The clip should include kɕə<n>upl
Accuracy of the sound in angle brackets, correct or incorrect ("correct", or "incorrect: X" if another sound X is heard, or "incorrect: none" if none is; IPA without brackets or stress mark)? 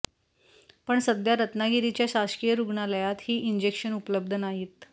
correct